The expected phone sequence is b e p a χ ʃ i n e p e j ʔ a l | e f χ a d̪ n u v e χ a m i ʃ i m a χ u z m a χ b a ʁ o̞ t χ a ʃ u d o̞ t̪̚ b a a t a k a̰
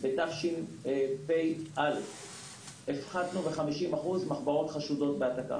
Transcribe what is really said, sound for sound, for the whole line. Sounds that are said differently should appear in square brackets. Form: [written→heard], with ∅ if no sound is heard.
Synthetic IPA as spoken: b e [p→t] a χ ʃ i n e p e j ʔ a l | e f χ a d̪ n u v e χ a m i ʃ i m a χ u z m a χ b a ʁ o̞ t χ a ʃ u d o̞ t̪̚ b [a→e] a t a k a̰